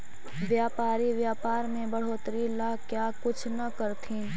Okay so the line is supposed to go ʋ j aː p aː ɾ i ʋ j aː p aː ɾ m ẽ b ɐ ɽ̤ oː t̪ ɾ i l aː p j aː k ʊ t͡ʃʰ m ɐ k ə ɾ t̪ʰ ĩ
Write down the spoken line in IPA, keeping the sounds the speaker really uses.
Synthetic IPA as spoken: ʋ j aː p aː ɾ i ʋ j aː p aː ɾ m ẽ b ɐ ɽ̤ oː t̪ ɾ i l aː k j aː k ʊ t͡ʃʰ n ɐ k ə ɾ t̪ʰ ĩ